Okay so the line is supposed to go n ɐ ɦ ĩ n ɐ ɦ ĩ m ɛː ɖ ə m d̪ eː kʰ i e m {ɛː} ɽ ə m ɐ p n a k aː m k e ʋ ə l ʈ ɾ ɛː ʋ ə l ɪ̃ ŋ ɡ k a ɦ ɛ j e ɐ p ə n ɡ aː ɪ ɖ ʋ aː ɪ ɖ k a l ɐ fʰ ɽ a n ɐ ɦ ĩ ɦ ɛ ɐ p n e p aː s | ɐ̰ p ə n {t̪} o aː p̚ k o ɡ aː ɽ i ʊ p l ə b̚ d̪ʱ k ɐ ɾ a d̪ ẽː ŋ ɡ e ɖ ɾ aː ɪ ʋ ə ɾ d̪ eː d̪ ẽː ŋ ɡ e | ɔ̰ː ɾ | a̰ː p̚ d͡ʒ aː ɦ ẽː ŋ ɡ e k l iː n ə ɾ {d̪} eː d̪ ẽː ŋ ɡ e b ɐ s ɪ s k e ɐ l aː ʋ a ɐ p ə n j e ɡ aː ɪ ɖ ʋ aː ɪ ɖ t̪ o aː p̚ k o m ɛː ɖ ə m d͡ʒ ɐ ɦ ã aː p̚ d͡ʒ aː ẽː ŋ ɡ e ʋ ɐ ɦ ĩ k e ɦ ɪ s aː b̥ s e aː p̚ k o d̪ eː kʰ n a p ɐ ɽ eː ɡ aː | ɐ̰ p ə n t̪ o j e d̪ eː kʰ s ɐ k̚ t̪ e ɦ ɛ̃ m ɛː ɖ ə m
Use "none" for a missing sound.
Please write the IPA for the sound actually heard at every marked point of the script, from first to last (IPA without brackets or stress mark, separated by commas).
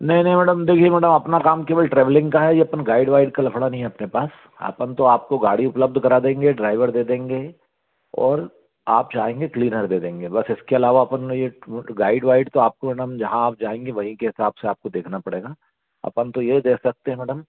ɛː, t̪, d̪